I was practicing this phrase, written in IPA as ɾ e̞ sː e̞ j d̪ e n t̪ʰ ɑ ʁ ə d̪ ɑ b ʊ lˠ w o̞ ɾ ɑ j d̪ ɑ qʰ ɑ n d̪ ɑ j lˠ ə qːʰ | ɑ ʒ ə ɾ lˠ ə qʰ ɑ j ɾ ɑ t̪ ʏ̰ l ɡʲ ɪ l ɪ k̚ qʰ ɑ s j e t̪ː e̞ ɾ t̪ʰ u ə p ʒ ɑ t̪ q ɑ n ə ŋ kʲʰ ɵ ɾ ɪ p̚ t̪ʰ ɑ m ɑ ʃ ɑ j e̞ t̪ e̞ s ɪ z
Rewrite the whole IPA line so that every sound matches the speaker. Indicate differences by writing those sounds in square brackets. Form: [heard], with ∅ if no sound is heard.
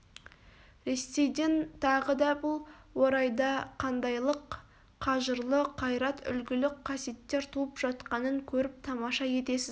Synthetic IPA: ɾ e̞ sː e̞ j d̪ e n t̪ʰ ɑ ʁ ə d̪ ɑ b ʊ lˠ w o̞ ɾ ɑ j d̪ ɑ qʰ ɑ n d̪ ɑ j lˠ ə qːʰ | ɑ ʒ ə ɾ lˠ ə qʰ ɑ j ɾ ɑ t̪ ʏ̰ l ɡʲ ɪ l ɪ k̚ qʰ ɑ s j e t̪ː e̞ ɾ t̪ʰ u ə p ʒ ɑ t̪ q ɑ n ə ŋ kʲʰ ɵ ɾ ɪ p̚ t̪ʰ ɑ m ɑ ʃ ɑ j e̞ t̪ e̞ s ɪ z